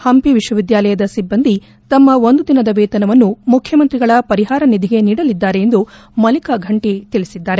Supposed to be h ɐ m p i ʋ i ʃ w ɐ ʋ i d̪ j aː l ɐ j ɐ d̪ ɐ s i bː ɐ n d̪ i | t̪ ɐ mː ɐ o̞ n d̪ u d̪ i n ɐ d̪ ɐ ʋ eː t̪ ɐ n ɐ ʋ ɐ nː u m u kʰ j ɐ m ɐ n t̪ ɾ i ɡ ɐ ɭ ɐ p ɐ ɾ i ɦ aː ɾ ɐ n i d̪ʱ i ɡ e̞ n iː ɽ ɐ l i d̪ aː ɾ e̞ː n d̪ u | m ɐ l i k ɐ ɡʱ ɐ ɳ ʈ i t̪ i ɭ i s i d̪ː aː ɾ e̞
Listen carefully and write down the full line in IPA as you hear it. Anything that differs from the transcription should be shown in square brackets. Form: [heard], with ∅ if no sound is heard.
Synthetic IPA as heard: h ɐ m p i ʋ i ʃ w ɐ ʋ i d̪ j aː l ɐ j ɐ d̪ ɐ s i bː ɐ n d̪ i | t̪ ɐ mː ɐ o̞ n d̪ u d̪ i n ɐ d̪ ɐ ʋ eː t̪ ɐ n ɐ ʋ ɐ nː u m u kʰ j ɐ m ɐ n t̪ ɾ i ɡ ɐ ɭ ɐ p ɐ ɾ i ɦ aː ɾ ɐ n i d̪ʱ i ɡ e̞ n iː ɽ ɐ l i [d̪ː] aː ɾ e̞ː n d̪ u | m ɐ l i k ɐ ɡʱ ɐ ɳ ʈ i t̪ i ɭ i s i d̪ː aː ɾ e̞